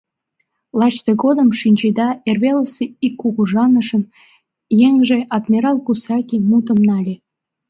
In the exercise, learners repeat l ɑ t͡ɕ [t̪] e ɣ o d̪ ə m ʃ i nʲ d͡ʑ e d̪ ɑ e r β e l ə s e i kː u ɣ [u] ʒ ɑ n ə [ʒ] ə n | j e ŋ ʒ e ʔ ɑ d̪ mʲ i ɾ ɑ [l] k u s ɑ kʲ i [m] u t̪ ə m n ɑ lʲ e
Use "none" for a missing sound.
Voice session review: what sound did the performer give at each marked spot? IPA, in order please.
t̪, u, ʃ, l, m

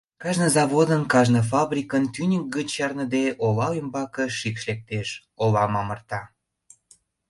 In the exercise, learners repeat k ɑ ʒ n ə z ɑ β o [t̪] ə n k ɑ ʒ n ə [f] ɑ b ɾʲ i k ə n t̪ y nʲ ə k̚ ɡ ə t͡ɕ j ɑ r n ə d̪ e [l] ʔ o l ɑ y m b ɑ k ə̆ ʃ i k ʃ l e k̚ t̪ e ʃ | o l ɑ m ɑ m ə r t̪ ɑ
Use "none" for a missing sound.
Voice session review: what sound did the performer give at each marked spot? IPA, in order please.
d̪, f, none

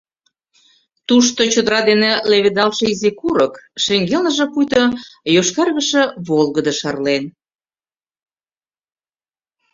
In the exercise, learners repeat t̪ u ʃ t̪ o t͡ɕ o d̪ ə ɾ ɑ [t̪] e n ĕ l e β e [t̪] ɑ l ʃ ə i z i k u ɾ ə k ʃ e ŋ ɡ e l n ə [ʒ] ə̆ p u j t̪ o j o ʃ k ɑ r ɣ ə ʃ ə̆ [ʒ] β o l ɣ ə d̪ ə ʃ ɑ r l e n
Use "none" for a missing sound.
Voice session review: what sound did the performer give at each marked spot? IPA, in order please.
d̪, d̪, ʒ, none

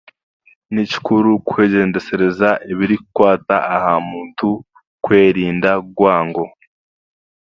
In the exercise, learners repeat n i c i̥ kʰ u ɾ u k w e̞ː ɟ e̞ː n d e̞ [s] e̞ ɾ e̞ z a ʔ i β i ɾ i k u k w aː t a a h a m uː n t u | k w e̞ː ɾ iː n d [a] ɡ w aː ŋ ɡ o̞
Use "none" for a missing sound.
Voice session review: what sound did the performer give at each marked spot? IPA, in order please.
s, a

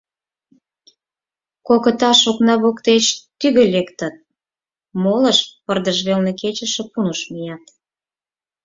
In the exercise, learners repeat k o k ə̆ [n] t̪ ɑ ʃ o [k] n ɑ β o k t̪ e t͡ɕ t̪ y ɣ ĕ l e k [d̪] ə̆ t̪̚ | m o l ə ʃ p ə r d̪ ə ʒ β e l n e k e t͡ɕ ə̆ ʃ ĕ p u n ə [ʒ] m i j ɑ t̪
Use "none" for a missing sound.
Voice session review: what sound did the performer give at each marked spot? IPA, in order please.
none, k, t̪, ʃ

